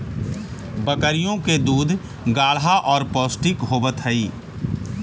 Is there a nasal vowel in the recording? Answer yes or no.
yes